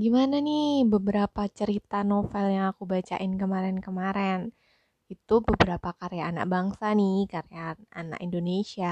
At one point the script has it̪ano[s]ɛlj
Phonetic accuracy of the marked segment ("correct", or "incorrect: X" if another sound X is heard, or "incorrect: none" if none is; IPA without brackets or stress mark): incorrect: f